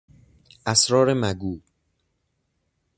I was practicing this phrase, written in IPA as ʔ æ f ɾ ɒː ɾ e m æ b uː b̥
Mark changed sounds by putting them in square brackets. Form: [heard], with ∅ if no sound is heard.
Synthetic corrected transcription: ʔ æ [s] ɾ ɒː ɾ e m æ [ɡ] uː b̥